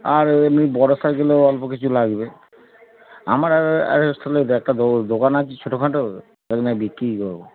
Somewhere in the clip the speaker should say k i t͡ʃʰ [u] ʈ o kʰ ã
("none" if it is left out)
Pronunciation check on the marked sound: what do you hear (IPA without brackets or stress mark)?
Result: o